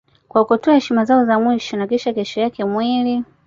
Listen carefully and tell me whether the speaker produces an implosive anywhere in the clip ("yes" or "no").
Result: no